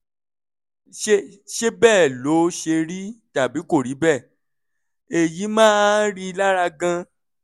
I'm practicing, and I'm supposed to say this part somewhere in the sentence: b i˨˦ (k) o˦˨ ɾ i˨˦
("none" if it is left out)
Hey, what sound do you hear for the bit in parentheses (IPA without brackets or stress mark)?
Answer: k